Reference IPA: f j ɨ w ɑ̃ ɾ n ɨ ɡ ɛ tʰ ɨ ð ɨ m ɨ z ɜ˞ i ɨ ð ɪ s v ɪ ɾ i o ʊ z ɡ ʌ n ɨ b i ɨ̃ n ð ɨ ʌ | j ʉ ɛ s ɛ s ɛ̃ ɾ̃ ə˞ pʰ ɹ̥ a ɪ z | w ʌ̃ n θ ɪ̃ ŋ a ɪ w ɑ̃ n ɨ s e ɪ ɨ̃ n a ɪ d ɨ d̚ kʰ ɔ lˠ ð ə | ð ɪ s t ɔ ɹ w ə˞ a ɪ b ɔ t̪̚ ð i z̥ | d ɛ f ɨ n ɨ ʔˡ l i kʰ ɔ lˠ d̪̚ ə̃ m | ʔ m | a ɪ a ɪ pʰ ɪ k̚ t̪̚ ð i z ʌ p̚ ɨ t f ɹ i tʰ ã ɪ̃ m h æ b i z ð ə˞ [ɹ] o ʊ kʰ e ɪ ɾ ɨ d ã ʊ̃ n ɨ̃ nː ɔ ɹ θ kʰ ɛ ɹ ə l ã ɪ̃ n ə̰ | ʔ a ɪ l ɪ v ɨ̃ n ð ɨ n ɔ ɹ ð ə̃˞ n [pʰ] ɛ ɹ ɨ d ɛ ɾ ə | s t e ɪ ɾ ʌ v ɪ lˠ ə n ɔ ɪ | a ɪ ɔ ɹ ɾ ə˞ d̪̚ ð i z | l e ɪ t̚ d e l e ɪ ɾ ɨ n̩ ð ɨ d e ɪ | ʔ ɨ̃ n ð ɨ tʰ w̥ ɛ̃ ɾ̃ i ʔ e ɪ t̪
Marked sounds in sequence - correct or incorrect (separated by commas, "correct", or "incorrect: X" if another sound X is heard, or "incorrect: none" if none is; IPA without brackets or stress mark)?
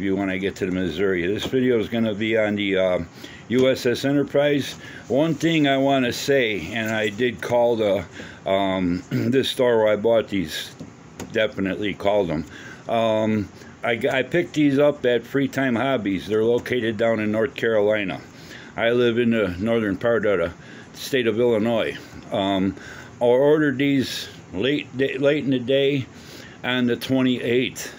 incorrect: l, correct